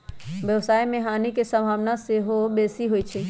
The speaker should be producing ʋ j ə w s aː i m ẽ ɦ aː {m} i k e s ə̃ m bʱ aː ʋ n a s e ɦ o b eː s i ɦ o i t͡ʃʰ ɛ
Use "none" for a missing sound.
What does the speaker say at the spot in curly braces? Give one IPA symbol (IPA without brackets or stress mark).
n